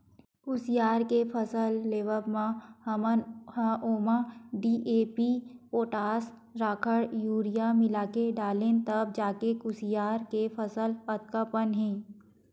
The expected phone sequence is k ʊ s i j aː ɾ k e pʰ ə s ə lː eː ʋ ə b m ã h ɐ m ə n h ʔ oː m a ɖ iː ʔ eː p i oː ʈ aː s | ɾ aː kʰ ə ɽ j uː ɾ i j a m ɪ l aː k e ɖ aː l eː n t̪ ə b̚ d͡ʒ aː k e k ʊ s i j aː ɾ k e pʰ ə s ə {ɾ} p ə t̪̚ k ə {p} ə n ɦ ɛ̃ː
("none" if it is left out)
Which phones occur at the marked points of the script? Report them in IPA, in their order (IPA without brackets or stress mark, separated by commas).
l, p